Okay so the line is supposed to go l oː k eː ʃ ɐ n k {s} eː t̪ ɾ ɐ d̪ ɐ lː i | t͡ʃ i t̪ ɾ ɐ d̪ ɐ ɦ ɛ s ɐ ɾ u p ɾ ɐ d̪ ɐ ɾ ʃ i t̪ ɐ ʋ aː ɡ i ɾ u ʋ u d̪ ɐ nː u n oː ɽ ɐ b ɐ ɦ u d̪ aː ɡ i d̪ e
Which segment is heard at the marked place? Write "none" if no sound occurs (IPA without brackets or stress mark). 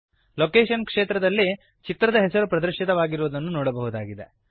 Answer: ʂ